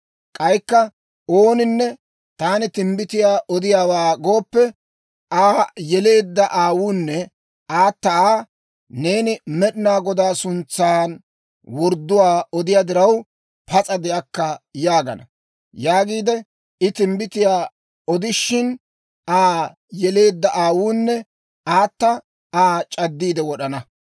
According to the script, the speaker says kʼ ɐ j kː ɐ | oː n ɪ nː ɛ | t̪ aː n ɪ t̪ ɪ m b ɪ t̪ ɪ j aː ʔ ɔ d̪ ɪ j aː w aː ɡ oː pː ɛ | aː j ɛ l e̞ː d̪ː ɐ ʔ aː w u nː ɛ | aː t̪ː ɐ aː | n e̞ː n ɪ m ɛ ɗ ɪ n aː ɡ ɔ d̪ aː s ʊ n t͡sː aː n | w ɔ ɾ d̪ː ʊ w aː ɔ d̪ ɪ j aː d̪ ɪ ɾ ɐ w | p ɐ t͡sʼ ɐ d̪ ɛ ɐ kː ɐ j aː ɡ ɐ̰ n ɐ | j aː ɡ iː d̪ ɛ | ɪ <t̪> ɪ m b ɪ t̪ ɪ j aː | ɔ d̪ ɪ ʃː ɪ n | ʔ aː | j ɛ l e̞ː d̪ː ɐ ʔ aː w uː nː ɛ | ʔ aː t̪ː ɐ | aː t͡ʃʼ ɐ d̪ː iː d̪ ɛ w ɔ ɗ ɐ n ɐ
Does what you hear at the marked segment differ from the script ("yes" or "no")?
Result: no